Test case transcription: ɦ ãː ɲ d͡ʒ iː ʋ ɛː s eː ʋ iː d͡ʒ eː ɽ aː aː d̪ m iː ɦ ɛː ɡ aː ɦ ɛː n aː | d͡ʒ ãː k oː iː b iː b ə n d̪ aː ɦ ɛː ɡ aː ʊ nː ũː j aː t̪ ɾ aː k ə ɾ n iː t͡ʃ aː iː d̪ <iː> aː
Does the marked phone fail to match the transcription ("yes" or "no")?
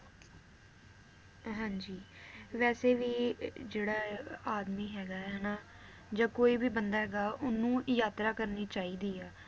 no